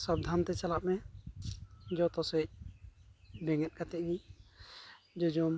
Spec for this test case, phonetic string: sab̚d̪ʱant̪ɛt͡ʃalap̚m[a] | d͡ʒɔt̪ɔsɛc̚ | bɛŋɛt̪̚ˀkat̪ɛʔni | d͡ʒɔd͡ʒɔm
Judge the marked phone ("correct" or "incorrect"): incorrect